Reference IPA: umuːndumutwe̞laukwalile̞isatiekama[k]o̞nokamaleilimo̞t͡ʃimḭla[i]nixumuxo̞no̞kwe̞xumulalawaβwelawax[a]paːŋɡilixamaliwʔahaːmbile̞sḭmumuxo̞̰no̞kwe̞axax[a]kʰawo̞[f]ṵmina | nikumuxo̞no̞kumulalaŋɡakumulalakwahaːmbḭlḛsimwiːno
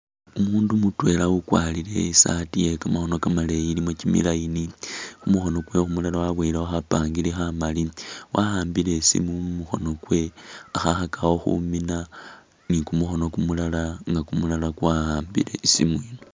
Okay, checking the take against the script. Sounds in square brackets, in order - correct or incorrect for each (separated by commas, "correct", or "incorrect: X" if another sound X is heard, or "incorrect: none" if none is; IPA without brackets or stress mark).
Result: incorrect: x, correct, correct, correct, incorrect: x